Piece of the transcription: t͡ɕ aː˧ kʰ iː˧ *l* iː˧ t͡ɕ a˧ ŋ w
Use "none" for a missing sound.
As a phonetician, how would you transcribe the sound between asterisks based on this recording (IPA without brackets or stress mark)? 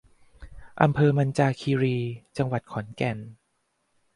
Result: ɾ